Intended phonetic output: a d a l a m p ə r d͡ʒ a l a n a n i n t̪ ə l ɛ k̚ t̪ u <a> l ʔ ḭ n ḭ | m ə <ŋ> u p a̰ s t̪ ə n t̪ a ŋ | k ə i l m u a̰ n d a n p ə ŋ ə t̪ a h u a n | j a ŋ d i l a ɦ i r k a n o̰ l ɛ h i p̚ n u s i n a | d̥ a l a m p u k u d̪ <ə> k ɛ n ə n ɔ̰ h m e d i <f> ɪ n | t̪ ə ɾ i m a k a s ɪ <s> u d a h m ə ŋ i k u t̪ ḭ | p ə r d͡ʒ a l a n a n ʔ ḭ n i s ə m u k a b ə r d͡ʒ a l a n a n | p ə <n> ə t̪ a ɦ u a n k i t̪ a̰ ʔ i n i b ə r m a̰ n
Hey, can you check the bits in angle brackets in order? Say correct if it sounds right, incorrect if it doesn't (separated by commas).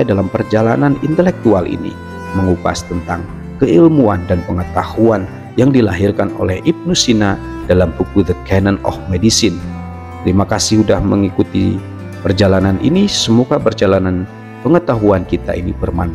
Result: correct, correct, correct, incorrect, incorrect, incorrect